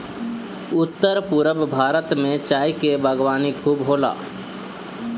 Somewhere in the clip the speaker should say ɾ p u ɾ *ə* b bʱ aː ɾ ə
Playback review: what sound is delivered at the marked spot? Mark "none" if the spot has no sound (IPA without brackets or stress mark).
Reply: ə